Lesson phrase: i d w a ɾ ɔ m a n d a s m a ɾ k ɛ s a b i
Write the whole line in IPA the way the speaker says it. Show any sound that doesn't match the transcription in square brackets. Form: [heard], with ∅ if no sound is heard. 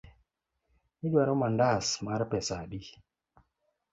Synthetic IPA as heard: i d w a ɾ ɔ m a n d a s m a ɾ [p] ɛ s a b i